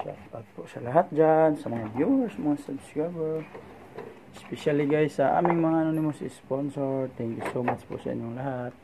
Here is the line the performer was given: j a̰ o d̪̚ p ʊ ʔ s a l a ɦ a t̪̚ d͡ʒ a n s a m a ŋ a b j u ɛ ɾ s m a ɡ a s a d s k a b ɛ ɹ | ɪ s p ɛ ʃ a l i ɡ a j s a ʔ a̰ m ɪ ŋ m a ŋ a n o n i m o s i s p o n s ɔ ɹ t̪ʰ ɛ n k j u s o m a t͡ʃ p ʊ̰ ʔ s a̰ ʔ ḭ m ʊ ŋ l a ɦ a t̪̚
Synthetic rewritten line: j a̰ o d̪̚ p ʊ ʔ s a l a ɦ a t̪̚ d͡ʒ a n s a m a ŋ a b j u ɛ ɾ s m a ŋ a s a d s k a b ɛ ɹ | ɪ s p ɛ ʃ a l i ɡ a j s a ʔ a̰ m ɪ ŋ m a ŋ a n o n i m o s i s p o n s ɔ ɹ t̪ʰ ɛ ŋ k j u s o m a t͡ʃ p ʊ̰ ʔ s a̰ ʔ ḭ ɲ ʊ ŋ l a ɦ a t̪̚